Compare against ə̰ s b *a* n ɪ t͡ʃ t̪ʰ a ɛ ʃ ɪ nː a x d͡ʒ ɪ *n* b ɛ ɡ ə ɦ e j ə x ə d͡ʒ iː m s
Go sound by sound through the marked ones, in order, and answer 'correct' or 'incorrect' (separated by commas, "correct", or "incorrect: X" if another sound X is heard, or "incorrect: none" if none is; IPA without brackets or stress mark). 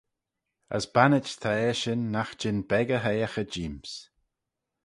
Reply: correct, correct